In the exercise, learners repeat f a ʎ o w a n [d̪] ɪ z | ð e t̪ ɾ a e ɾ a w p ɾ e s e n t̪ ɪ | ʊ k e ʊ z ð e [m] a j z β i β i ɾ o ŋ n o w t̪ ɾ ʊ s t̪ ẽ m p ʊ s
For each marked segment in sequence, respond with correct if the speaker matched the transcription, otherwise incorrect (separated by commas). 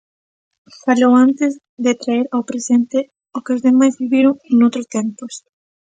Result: incorrect, correct